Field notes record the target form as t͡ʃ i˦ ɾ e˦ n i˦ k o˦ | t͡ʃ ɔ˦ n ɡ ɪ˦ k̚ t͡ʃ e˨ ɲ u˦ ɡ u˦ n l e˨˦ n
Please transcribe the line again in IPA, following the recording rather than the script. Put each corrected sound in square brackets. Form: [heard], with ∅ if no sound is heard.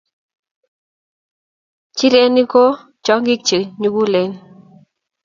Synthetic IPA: t͡ʃ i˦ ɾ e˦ n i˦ k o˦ | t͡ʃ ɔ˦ [ŋ] ɡ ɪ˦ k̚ t͡ʃ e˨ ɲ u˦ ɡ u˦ [∅] l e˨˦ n